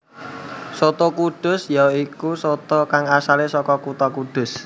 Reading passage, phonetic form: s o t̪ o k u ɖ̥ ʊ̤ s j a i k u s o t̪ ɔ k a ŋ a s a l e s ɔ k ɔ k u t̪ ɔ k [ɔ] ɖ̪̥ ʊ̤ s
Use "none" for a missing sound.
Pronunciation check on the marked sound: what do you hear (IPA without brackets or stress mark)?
u